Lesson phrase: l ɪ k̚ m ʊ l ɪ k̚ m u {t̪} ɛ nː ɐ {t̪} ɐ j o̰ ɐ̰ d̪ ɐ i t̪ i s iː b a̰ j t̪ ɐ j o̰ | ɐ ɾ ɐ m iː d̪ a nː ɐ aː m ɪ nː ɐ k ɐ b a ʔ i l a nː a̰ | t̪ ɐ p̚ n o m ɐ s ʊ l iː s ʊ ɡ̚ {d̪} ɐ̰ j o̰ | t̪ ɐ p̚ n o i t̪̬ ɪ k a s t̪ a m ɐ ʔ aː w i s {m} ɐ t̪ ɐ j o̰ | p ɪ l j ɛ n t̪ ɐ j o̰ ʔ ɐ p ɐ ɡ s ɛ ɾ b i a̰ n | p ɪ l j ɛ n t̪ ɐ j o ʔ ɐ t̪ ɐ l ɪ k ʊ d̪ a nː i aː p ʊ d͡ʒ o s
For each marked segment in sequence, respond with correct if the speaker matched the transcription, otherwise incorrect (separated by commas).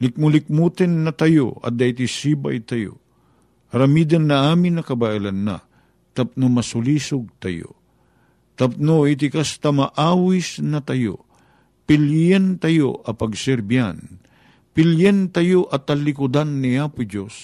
correct, correct, incorrect, incorrect